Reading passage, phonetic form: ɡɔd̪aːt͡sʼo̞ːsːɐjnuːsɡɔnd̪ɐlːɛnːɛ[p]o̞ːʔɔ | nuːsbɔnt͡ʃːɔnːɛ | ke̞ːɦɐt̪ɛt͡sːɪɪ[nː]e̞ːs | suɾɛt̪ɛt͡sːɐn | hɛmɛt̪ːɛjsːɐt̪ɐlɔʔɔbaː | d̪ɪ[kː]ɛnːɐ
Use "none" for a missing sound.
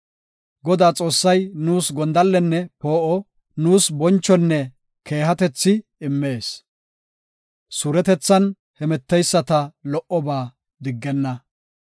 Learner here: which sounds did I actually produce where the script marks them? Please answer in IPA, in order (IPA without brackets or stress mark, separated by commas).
p, mː, ɡː